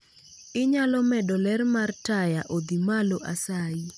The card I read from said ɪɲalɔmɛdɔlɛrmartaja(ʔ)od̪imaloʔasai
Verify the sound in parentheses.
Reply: correct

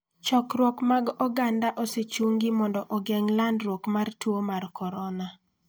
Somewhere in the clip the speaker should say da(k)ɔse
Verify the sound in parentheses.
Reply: incorrect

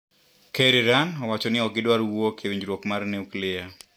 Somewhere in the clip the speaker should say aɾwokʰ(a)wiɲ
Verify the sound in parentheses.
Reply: incorrect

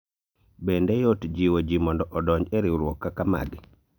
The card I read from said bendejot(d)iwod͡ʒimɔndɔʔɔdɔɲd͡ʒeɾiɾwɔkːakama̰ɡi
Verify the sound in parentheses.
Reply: incorrect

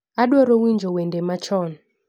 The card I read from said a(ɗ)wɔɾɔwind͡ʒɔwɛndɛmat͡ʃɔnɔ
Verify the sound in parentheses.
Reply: correct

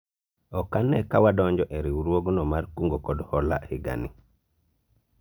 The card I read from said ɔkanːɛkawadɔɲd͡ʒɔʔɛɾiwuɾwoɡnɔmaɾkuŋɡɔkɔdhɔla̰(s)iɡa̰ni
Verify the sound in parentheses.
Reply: incorrect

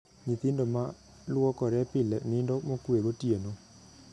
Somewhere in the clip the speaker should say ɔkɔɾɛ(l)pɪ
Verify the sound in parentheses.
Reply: incorrect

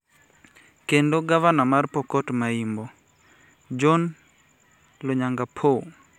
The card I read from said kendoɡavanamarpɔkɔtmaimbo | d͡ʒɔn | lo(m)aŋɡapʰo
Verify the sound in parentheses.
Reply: incorrect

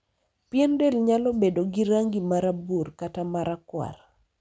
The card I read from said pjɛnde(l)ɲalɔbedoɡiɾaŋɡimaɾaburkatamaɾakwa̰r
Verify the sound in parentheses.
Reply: correct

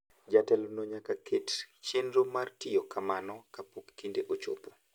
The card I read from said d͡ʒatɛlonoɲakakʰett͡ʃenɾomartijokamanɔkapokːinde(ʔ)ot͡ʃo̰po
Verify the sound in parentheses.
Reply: correct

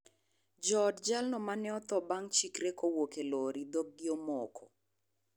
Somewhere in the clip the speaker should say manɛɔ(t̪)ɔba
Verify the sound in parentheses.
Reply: correct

